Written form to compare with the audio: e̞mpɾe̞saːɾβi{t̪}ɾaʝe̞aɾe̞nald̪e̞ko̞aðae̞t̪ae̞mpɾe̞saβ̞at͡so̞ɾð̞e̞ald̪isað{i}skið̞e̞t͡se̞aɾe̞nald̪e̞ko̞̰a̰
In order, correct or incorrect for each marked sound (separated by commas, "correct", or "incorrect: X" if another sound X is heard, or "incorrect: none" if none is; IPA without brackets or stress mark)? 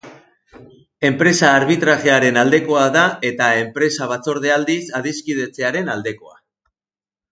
correct, correct